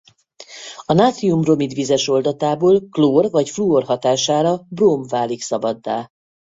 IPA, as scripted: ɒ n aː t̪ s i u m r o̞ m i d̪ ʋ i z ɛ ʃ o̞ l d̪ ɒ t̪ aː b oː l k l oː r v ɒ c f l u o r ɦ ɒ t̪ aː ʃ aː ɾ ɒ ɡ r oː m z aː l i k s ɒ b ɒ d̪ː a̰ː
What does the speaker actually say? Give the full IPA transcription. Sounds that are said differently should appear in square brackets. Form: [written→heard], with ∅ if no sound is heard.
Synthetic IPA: ɒ n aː t̪ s i u m r o̞ m i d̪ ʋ i z ɛ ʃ o̞ l d̪ ɒ t̪ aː b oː l k l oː r v ɒ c f l u o r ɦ ɒ t̪ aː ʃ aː ɾ ɒ [ɡ→b] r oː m [z→v] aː l i k s ɒ b ɒ d̪ː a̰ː